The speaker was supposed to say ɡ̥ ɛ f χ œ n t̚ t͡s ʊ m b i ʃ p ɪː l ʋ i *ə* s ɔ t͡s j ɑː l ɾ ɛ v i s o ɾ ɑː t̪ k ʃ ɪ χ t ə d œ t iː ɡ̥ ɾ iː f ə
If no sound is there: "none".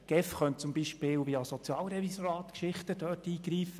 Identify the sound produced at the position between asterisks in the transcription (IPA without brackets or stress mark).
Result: ɑ